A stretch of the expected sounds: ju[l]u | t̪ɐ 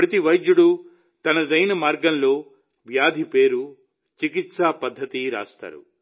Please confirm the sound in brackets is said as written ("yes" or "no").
no